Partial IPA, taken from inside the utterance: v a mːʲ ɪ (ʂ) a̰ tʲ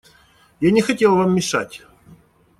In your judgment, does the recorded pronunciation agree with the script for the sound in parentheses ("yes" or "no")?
yes